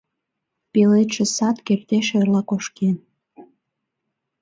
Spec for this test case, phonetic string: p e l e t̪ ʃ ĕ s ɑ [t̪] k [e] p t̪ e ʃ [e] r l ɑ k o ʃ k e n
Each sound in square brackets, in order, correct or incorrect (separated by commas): correct, correct, correct